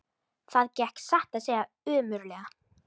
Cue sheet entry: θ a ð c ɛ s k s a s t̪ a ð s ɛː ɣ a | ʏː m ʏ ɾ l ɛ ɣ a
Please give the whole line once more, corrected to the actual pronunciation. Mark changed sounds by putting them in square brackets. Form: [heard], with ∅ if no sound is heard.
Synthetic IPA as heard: θ a ð c ɛ [h] k s a [h] t̪ a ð s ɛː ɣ a | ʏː m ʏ ɾ l ɛ ɣ a